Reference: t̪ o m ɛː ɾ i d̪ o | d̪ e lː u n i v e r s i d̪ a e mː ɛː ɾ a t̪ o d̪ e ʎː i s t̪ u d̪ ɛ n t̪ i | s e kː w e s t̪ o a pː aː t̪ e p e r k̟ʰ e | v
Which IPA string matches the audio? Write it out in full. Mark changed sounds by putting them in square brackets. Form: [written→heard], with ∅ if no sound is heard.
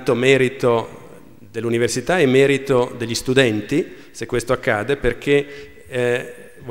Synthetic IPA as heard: t̪ o m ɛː ɾ i [d̪→t̪] o | d̪ e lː u n i v e r s i [d̪→t̪] a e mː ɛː ɾ [a→i] t̪ o d̪ e ʎː i s t̪ u d̪ ɛ n t̪ i | s e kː w e s t̪ o a [pː→kː] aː [t̪→d̪] e p e r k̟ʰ e | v